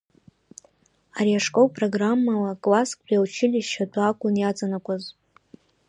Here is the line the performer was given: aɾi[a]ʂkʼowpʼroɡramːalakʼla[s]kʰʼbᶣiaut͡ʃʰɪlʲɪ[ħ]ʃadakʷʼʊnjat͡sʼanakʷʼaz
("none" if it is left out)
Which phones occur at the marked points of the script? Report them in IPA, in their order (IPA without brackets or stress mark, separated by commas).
a, s, ʃ